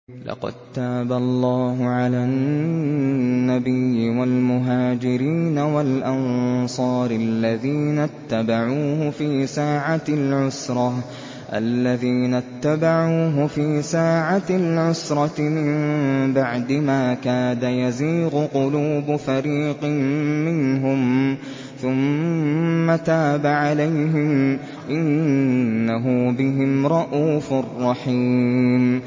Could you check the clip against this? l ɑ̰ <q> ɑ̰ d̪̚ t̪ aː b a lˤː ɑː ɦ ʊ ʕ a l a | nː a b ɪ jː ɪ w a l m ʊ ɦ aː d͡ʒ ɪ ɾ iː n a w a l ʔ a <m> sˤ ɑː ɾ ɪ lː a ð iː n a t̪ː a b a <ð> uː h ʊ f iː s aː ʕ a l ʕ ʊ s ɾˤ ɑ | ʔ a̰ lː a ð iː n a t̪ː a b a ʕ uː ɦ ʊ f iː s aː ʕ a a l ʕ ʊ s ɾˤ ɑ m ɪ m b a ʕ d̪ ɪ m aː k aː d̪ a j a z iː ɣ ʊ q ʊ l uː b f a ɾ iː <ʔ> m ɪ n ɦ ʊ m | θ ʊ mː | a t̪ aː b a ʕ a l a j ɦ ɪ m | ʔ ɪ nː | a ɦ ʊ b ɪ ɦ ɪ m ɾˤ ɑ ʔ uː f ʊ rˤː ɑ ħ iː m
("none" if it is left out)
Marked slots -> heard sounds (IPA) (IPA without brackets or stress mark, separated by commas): q, n, ʕ, q